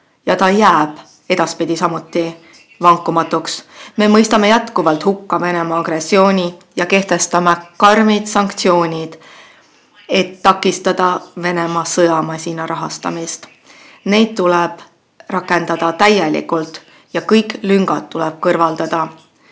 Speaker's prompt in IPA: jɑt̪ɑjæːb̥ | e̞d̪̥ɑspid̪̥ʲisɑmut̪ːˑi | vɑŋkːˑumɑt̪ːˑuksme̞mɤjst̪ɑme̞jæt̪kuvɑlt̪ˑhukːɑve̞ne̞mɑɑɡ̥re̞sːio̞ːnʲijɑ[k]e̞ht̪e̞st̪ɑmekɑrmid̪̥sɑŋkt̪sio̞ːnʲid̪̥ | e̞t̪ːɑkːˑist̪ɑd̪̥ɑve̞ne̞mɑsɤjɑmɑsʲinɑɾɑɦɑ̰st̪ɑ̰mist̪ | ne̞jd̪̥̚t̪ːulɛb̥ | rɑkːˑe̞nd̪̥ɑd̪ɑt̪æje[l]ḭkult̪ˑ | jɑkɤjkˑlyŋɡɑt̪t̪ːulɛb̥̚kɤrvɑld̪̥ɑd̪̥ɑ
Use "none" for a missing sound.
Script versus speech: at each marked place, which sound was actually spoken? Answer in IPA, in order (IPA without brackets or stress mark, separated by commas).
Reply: k, l